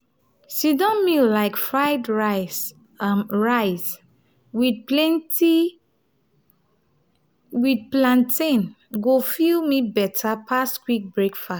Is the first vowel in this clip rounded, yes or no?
no